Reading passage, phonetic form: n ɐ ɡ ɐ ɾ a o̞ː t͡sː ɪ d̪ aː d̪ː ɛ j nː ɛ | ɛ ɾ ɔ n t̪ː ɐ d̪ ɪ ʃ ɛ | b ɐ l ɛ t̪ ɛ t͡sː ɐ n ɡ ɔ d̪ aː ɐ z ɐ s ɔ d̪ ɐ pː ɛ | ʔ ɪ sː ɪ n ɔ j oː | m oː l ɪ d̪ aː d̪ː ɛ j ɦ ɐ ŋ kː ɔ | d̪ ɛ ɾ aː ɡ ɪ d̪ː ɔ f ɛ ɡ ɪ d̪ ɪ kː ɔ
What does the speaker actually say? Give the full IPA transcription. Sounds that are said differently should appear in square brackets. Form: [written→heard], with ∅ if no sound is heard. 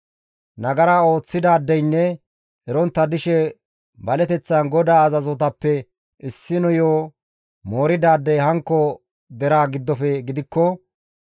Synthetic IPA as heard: n ɐ ɡ ɐ ɾ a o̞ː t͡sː ɪ d̪ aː d̪ː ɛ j nː ɛ | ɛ ɾ ɔ n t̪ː ɐ d̪ ɪ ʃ ɛ | b ɐ l ɛ t̪ ɛ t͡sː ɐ n ɡ ɔ d̪ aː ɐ z ɐ [s→z] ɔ [d̪→t̪] ɐ pː ɛ | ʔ ɪ sː ɪ n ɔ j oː | m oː [l→ɾ] ɪ d̪ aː d̪ː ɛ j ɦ ɐ ŋ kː ɔ | d̪ ɛ ɾ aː ɡ ɪ d̪ː ɔ f ɛ ɡ ɪ d̪ ɪ kː ɔ